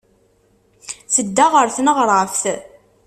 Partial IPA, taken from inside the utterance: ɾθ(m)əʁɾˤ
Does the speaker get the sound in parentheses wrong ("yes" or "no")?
yes